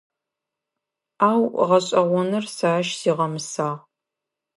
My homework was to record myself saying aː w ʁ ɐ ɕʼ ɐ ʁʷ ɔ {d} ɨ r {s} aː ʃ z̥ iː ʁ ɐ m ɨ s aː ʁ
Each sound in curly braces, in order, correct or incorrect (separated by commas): incorrect, correct